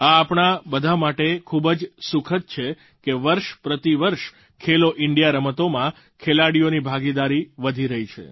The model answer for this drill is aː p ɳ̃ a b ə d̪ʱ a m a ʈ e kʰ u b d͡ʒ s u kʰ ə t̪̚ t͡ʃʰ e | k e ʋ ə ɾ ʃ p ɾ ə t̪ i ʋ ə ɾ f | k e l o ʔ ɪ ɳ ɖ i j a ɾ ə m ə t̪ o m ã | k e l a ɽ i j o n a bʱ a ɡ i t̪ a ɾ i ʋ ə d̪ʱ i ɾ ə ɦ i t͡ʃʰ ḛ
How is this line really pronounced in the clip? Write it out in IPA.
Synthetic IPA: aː p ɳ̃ a b ə d̪ʱ a m a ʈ e kʰ u b d͡ʒ s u kʰ ə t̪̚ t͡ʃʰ e | k e ʋ ə ɾ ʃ p ɾ ə t̪ i ʋ ə ɾ ʃ | kʰ e l o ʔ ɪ ɳ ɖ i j a ɾ ə m ə t̪ o m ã | kʰ e l a ɽ i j o n i bʱ a ɡ i d̪ a ɾ i ʋ ə d̪ʱ i ɾ ə ɦ i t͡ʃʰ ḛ